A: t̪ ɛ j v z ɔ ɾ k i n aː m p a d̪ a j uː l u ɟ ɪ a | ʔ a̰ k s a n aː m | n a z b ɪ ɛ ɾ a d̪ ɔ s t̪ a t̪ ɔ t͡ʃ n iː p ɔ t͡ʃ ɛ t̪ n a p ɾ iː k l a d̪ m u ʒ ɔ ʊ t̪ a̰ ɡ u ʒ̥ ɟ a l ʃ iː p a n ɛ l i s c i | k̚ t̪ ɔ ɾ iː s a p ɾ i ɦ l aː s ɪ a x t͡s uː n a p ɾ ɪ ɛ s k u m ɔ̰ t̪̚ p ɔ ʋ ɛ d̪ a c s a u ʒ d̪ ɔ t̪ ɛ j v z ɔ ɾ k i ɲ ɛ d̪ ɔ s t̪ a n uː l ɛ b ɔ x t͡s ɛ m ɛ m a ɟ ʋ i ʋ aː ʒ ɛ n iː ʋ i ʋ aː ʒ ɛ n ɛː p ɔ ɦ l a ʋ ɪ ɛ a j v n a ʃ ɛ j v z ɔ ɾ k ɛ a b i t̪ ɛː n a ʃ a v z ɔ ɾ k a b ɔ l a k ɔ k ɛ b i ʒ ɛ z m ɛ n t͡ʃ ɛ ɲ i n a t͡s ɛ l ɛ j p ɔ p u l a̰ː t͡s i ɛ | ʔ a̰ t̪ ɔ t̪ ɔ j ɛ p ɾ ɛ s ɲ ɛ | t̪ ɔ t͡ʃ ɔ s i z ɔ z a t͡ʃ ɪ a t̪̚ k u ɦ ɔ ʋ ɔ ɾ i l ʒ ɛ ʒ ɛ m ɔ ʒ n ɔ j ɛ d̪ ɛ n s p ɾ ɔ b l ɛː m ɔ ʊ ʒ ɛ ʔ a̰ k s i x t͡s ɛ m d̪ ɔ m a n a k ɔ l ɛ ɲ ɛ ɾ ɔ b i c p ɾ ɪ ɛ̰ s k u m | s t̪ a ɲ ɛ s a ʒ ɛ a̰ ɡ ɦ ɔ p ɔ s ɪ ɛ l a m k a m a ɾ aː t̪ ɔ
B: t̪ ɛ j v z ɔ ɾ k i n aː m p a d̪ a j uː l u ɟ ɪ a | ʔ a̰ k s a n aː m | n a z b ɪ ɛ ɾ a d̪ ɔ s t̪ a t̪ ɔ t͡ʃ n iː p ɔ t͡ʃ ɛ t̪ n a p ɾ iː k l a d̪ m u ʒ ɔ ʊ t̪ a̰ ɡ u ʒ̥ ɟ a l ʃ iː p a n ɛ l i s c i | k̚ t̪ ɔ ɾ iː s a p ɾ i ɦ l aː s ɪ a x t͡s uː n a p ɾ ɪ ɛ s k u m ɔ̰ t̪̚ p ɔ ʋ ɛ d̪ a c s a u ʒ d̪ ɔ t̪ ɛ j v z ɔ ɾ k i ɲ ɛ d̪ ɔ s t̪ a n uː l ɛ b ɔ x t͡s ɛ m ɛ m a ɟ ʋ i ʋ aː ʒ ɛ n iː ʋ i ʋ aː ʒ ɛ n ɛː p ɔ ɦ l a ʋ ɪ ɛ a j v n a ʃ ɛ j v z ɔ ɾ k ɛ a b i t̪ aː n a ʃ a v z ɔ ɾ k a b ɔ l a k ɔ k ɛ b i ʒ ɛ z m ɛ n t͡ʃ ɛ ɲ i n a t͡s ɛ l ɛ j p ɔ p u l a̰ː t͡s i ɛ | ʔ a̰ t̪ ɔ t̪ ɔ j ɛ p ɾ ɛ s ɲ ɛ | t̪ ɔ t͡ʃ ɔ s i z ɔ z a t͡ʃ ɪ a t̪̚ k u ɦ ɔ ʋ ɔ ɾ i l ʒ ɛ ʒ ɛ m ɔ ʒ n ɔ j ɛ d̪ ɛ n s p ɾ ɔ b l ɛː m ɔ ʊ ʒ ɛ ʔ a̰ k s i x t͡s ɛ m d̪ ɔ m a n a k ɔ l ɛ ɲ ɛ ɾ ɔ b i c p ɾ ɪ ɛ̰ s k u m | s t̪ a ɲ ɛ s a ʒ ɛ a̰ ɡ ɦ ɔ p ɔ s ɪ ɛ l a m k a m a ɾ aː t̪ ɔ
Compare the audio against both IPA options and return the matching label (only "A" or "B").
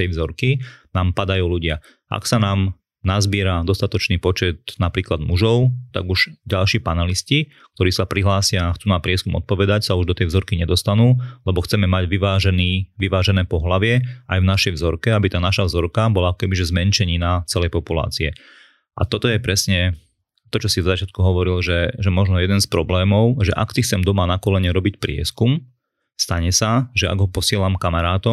B